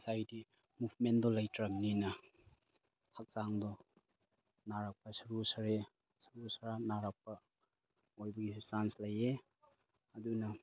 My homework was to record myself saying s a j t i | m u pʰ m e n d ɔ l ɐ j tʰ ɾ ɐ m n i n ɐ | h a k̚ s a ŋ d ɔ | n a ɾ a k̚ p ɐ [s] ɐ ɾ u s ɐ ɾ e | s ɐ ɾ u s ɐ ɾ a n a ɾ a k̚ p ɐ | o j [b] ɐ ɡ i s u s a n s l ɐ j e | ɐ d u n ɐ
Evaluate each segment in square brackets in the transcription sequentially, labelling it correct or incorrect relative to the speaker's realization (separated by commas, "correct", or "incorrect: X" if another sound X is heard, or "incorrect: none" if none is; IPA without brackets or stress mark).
correct, correct